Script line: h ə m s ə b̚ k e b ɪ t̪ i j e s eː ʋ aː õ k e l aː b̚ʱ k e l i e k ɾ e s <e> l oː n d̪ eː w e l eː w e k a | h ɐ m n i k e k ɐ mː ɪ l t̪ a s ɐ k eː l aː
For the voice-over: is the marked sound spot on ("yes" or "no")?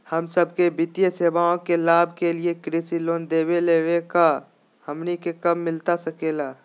no